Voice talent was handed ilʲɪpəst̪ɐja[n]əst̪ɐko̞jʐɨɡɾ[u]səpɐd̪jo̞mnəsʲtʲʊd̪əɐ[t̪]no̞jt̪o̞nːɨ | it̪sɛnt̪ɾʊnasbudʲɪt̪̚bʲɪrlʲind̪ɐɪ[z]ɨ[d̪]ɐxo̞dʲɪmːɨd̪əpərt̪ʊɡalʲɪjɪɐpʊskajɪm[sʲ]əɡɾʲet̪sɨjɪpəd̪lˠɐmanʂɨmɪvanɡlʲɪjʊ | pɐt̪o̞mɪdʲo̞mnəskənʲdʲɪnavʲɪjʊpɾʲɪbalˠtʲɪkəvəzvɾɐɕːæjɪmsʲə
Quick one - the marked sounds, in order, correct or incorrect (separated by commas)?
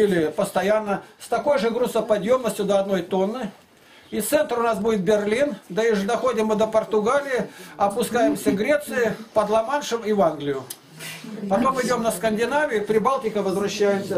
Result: incorrect, correct, incorrect, incorrect, correct, correct